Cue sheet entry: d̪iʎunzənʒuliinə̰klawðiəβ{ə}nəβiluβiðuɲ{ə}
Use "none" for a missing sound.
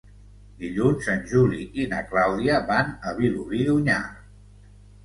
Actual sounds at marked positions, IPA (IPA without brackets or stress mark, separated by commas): a, a